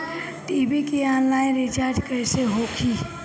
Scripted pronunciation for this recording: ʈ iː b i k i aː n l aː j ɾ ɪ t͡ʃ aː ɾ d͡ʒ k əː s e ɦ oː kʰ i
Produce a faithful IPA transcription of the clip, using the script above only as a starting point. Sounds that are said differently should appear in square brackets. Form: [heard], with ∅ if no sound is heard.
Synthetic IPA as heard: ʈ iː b i k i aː n l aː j ɾ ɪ t͡ʃ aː ɾ d͡ʒ k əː s e ɦ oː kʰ i